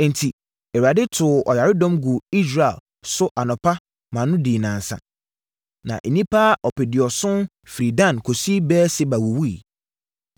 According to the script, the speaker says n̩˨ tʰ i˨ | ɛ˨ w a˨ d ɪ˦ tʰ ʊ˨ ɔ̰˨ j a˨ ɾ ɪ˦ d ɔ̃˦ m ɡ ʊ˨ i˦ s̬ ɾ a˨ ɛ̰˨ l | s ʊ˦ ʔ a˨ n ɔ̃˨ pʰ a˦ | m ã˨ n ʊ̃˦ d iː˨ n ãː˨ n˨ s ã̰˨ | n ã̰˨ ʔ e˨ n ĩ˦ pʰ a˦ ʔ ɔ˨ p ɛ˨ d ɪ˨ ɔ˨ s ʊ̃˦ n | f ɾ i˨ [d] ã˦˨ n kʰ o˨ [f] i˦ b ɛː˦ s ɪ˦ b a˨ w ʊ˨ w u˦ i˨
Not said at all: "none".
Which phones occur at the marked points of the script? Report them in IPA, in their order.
d, s

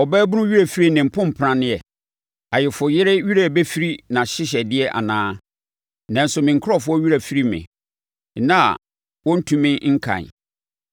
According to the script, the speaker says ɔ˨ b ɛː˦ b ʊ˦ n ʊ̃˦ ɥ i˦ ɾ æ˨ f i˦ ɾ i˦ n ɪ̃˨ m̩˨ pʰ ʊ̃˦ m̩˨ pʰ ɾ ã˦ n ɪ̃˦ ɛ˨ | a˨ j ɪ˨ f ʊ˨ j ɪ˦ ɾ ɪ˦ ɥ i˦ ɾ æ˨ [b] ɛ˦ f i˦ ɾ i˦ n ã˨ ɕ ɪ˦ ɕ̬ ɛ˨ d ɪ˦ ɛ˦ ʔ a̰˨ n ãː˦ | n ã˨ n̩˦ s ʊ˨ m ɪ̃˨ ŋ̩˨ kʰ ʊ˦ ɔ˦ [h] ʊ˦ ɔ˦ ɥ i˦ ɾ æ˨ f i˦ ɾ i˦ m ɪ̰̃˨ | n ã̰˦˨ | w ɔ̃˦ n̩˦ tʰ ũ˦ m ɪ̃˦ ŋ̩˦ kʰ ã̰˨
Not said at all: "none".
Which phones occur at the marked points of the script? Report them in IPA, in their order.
b, f

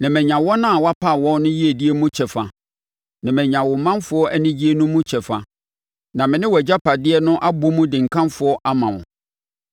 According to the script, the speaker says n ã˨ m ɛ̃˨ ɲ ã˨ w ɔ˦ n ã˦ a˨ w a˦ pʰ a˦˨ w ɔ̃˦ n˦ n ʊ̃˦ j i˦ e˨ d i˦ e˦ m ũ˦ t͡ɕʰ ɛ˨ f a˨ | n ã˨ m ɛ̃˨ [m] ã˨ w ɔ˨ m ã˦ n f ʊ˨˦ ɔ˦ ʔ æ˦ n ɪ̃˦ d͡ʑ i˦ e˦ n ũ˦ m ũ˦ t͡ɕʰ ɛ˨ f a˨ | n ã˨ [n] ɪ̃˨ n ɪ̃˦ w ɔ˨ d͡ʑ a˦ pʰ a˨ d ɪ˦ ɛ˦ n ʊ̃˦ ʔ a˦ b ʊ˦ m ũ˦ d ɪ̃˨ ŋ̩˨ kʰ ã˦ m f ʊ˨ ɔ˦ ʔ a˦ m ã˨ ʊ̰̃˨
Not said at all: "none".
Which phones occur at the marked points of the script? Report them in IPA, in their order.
ɲ, m

